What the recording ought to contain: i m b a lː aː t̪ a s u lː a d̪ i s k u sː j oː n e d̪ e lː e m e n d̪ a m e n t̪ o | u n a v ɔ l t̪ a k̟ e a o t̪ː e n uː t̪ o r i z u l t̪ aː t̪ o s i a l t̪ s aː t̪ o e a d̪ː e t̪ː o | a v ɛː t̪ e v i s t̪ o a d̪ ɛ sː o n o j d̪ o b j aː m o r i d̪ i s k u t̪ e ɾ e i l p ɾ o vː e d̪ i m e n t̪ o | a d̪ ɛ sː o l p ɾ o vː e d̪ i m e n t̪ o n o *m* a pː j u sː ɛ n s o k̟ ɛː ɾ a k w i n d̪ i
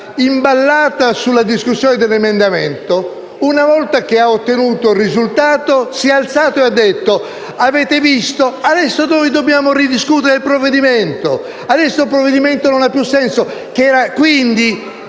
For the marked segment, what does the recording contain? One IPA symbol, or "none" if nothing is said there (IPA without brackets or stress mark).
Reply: n